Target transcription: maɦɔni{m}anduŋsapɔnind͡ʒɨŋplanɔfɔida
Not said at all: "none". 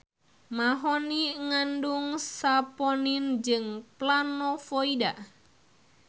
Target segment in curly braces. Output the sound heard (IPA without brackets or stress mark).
ŋ